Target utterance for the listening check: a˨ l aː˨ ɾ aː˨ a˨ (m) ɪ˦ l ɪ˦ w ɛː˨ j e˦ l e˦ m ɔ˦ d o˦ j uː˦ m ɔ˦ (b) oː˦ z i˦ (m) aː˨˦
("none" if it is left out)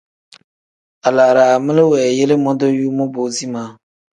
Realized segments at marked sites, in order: m, b, m

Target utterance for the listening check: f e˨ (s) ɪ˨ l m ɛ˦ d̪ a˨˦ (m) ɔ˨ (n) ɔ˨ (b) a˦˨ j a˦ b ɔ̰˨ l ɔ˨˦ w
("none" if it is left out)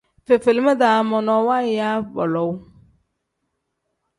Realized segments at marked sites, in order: f, m, n, w

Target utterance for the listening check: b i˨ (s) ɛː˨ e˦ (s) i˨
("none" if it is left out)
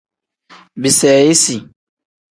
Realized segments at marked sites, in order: s, s

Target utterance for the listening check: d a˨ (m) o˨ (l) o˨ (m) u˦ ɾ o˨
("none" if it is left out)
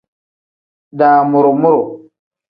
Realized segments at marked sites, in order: m, ɾ, m

